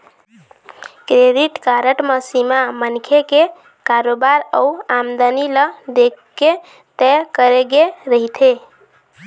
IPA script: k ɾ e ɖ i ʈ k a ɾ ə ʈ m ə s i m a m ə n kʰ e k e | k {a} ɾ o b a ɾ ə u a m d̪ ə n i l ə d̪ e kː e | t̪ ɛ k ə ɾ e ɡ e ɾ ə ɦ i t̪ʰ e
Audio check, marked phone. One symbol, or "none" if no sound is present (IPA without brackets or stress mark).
a